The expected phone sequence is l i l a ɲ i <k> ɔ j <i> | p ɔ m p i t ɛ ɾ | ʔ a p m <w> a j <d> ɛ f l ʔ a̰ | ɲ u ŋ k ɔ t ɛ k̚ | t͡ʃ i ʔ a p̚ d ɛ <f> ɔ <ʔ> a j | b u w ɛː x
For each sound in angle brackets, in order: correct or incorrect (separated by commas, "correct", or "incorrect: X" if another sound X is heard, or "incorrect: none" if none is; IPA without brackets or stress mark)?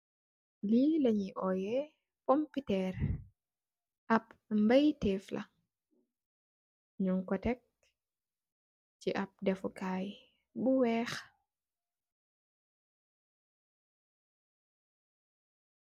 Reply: incorrect: ʔ, incorrect: ɛ, incorrect: b, incorrect: t, correct, incorrect: k